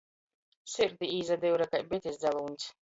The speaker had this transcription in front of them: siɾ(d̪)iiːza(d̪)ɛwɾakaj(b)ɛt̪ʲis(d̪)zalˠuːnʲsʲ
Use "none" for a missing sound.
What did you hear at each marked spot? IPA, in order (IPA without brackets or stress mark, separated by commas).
d̪, d̪, b, d̪